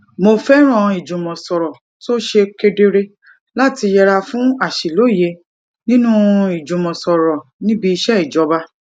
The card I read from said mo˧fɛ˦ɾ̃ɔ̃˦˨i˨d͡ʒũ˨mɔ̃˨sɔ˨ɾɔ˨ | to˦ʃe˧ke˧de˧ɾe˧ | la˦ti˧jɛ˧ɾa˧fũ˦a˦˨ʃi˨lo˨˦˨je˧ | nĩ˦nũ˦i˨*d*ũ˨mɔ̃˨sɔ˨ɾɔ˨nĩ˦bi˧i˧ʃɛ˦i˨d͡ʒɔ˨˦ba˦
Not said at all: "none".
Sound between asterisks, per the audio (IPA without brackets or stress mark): d͡ʒ